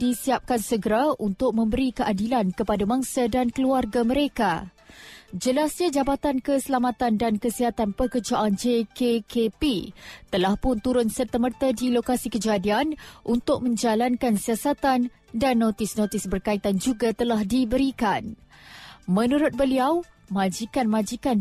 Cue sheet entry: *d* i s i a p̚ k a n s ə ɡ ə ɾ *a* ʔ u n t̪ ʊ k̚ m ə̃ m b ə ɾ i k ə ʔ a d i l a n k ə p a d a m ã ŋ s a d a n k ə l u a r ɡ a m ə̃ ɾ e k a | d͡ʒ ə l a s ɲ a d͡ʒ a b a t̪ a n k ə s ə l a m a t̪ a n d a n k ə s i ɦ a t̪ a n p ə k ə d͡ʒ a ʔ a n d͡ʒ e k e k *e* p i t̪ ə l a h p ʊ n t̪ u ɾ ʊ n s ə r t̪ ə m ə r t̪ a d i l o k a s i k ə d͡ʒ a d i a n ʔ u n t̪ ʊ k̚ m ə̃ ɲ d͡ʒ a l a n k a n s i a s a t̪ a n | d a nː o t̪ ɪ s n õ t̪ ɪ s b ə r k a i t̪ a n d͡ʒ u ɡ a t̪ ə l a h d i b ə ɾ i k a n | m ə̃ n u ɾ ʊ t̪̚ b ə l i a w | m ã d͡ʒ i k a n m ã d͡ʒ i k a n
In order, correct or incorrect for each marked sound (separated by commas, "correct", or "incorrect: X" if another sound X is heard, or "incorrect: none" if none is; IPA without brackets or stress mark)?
correct, correct, correct